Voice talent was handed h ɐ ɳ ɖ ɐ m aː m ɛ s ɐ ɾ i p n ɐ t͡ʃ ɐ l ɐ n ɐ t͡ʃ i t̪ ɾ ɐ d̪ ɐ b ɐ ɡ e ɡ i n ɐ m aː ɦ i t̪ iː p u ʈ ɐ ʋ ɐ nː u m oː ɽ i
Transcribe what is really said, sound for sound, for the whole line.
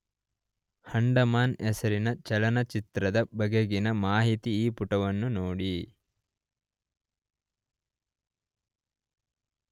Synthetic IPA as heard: h ɐ ɳ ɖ ɐ m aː n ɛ s ɐ ɾ i n ɐ t͡ʃ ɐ l ɐ n ɐ t͡ʃ i t̪ ɾ ɐ d̪ ɐ b ɐ ɡ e ɡ i n ɐ m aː ɦ i t̪ iː p u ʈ ɐ ʋ ɐ nː u n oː ɽ i